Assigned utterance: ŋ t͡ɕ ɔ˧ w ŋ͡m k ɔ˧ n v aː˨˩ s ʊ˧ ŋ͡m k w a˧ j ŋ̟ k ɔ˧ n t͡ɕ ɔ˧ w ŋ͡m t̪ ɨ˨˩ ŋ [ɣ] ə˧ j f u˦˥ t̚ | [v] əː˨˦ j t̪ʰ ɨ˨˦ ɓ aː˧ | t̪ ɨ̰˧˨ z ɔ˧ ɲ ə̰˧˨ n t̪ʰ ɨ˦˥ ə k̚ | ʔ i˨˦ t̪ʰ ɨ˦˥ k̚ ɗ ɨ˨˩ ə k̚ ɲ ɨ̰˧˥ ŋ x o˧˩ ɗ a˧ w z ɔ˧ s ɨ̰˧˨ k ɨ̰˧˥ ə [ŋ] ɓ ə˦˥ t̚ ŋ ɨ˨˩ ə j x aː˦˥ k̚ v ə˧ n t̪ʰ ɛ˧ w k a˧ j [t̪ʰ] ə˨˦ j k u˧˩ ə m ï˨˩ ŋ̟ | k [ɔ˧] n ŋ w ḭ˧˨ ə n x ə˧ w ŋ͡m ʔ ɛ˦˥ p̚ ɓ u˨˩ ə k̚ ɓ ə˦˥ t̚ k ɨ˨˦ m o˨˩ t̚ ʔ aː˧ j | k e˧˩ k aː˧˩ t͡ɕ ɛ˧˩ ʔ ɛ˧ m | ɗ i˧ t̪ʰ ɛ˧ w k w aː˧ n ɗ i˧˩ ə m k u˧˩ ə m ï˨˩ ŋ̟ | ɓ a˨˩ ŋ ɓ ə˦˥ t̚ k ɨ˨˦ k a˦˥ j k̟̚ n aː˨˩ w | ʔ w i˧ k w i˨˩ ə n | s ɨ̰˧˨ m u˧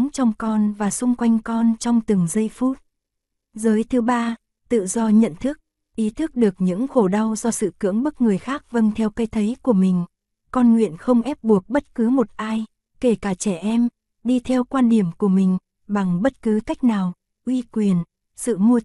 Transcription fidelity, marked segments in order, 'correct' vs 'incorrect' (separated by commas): incorrect, incorrect, correct, correct, correct